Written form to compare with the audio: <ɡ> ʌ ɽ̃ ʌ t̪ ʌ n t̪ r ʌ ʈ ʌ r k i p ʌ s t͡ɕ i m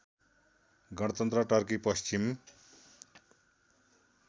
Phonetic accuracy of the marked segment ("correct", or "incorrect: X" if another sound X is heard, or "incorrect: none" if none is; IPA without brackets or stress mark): correct